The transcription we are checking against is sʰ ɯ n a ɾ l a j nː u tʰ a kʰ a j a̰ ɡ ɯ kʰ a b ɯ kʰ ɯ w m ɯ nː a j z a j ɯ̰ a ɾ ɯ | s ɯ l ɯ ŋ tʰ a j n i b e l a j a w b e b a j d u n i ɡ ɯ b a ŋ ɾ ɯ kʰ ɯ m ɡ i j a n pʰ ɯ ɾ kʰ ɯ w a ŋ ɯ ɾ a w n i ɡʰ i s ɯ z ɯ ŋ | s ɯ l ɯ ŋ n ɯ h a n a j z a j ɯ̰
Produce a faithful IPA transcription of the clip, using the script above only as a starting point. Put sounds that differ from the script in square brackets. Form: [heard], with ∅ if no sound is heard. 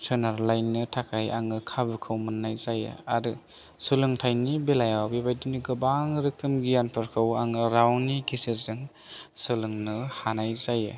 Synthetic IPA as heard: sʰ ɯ n a ɾ l a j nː [ɯ] tʰ a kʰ a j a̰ [ŋ] ɯ kʰ a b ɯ kʰ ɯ w m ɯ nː a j z a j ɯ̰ a ɾ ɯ | s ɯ l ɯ ŋ tʰ a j n i b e l a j a w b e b a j d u n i ɡ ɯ b a ŋ ɾ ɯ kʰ ɯ m ɡ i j a n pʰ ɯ ɾ kʰ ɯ w a ŋ ɯ ɾ a w n i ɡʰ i s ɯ z ɯ ŋ | s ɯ l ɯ ŋ n ɯ h a n a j z a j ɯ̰

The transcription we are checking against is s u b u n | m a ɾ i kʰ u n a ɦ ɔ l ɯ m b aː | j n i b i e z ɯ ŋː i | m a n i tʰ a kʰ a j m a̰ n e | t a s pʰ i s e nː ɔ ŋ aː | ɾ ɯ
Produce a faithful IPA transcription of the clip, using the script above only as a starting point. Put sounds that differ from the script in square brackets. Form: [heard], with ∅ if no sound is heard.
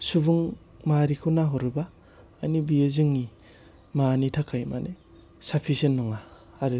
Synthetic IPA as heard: s u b u [ŋ] | m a ɾ i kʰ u n a ɦ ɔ [ɾ] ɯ [∅] b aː | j n i b i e z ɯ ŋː i | m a n i tʰ a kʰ a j m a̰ n e | [s] a [∅] pʰ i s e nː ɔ ŋ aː | ɾ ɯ

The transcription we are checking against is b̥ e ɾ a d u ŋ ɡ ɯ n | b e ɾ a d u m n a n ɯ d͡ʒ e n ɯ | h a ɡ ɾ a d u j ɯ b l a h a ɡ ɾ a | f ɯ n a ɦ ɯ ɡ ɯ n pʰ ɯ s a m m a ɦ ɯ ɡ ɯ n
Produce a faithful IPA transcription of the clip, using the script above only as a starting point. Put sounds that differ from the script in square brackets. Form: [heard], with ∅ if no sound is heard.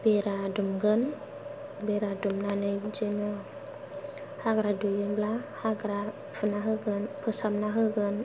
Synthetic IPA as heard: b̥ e ɾ a d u [m] ɡ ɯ n | b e ɾ a d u m n a n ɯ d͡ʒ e n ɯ | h a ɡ ɾ a d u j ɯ b l a h a ɡ ɾ a | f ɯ n a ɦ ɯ ɡ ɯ n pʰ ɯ s a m [n] a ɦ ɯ ɡ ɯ n

